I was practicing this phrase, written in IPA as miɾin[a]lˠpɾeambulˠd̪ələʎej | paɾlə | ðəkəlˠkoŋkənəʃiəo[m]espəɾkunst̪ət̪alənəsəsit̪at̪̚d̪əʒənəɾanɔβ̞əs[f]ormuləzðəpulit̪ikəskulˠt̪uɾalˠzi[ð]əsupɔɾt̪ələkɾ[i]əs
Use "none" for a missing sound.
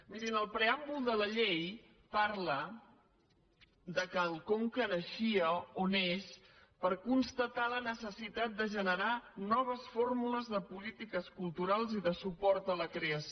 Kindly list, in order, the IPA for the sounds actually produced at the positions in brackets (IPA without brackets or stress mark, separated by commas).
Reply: ə, n, f, ð, e